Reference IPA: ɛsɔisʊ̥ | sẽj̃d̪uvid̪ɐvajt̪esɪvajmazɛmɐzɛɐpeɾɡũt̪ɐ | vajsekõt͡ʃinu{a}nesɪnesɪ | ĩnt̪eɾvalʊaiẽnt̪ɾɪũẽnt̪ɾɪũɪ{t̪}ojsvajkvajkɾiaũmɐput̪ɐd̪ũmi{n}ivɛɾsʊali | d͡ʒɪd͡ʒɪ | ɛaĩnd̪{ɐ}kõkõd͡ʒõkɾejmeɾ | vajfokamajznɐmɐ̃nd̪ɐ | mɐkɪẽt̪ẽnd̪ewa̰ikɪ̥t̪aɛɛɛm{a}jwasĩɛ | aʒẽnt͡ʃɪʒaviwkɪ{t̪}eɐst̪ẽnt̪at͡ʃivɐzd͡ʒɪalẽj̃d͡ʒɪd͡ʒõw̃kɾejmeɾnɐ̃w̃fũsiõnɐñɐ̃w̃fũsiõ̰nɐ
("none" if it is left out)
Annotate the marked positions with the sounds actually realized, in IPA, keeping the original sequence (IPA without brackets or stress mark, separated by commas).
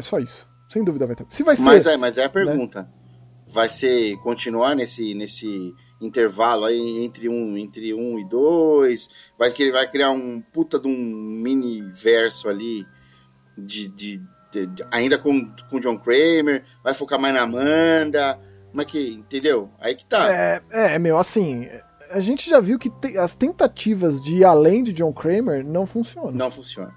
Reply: a, d̪, n, ɐ, e, t̪